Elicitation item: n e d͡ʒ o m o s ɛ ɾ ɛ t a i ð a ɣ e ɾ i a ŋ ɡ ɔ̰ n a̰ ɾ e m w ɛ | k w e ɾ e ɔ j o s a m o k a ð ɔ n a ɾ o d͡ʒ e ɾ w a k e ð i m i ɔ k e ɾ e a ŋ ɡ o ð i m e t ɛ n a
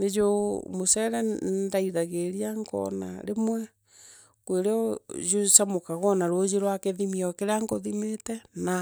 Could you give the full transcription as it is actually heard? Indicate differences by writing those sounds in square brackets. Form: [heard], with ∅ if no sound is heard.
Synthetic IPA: n e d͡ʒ o m o s ɛ ɾ ɛ [d] a i ð a ɣ e ɾ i a ŋ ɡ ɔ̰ n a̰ ɾ e m w ɛ | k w e ɾ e ɔ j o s a m o k a [ɣ] ɔ n a ɾ o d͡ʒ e ɾ w a k e ð i m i ɔ k e ɾ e a ŋ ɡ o ð i m e t ɛ n a